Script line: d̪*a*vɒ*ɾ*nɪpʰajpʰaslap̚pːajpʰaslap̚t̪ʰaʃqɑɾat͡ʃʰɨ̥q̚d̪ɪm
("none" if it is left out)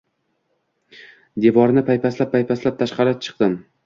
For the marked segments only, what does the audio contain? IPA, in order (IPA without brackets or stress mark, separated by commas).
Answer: e, ɾ